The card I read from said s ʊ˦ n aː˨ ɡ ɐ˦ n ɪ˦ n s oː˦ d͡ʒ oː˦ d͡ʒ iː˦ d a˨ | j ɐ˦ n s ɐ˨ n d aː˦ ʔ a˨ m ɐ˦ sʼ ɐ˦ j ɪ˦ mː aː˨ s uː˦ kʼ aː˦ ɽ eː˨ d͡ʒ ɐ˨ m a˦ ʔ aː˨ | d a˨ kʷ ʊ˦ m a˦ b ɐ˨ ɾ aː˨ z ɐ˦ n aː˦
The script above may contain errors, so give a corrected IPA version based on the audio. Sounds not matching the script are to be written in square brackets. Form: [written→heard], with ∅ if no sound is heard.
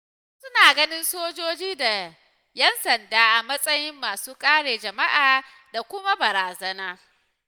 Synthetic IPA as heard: s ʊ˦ n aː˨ ɡ ɐ˦ n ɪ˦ n s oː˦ d͡ʒ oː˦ d͡ʒ iː˦ d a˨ | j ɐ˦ n s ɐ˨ n d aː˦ ʔ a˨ m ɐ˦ sʼ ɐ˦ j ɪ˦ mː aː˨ s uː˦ kʼ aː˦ ɽ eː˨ d͡ʒ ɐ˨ m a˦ ʔ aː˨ | d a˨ kʷ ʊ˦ m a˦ b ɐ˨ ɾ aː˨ z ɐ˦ n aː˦